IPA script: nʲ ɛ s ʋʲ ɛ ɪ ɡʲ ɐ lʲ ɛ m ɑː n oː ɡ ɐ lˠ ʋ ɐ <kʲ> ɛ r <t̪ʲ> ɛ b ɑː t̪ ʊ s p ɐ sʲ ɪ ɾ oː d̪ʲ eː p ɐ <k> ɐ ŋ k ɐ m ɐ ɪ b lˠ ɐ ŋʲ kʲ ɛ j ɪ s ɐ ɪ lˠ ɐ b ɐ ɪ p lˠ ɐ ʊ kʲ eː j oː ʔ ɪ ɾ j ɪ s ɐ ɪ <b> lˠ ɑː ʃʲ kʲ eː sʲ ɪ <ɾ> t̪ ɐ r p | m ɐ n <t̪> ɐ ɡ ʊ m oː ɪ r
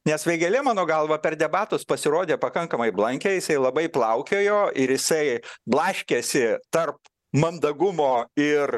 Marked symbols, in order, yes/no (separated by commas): no, no, yes, yes, no, no